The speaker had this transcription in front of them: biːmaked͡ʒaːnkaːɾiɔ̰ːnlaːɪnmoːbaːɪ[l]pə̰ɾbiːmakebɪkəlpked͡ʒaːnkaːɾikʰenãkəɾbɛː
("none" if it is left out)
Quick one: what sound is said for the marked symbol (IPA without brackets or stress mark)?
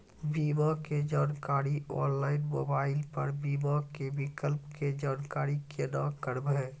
l